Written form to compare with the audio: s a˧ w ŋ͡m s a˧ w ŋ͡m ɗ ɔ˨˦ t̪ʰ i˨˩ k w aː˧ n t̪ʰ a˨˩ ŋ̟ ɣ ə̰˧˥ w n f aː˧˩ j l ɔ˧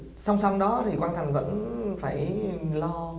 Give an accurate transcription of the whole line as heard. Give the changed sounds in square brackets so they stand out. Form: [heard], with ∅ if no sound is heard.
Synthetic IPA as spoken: s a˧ w ŋ͡m s a˧ w ŋ͡m ɗ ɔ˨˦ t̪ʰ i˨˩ k w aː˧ n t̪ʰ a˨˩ ŋ̟ [v] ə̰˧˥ [∅] n f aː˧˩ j l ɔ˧